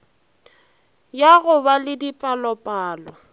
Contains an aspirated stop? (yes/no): no